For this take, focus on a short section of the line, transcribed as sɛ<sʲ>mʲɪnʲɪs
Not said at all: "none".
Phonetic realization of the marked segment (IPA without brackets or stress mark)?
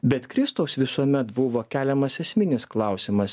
sʲ